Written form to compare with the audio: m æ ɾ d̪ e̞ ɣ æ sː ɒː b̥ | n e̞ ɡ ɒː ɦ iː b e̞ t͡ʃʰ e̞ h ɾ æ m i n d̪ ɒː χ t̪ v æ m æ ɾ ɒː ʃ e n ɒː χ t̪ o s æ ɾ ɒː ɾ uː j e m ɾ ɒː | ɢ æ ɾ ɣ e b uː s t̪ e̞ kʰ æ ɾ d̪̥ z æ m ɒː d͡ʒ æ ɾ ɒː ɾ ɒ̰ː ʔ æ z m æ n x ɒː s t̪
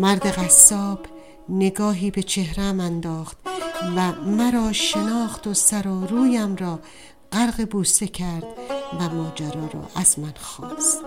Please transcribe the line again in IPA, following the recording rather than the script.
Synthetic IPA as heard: m æ ɾ d̪ e̞ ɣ æ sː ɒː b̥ | n e̞ ɡ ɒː ɦ iː b e̞ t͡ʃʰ e̞ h ɾ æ m æ n d̪ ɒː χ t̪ v æ m æ ɾ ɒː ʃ e n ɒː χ t̪ o s æ ɾ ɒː ɾ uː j æ m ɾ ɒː | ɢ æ ɾ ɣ e b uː s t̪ e̞ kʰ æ ɾ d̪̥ v æ m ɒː d͡ʒ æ ɾ ɒː ɾ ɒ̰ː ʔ æ z m æ n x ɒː s t̪